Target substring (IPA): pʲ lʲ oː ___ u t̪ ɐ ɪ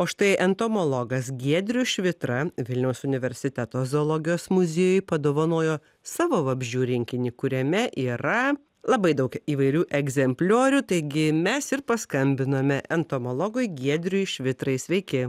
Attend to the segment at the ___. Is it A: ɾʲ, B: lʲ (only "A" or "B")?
A